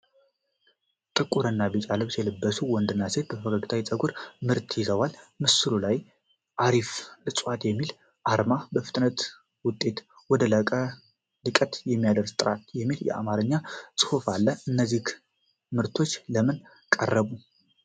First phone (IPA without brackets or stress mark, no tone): t̪ʼ